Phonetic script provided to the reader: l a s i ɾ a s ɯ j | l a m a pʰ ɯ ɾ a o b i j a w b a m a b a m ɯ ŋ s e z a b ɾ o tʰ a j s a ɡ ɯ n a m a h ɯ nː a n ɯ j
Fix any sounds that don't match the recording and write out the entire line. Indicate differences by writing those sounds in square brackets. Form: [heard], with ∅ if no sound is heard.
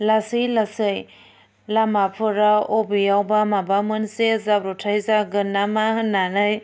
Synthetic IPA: l a s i [l] a s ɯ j | l a m a pʰ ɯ ɾ a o b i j a w b a m a b a m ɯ [n] s e z a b ɾ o tʰ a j [z] a ɡ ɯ n a m a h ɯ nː a n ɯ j